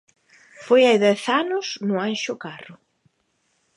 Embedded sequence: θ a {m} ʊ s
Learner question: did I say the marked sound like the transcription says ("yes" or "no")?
no